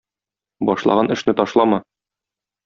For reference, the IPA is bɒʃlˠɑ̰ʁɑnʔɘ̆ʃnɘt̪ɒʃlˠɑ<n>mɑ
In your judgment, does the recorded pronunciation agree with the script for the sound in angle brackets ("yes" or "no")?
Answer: no